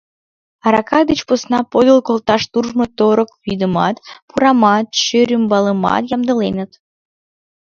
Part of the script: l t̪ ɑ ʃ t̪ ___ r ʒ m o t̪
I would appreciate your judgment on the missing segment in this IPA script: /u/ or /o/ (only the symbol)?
u